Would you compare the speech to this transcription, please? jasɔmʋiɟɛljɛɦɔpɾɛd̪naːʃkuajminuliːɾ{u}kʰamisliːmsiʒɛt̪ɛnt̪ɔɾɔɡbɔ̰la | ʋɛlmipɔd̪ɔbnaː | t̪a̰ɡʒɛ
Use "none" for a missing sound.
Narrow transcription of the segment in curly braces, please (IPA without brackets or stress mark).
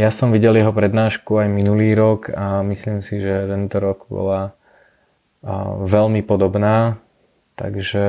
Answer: ɔ